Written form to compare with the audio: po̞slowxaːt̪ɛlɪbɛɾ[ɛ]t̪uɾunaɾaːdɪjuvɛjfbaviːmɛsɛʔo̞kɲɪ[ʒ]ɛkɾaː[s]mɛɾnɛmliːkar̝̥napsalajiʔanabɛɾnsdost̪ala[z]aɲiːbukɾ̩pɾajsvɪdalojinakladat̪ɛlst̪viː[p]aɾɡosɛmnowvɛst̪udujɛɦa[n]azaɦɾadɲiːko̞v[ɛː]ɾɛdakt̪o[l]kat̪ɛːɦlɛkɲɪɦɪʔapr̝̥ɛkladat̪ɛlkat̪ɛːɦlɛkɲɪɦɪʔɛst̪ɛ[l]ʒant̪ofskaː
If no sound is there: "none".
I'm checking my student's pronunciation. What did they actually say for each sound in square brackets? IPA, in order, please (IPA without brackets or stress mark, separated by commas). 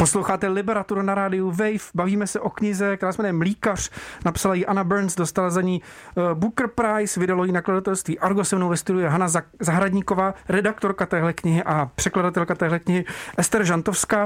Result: a, z, s, z, ʔ, n, aː, ɾ, ɾ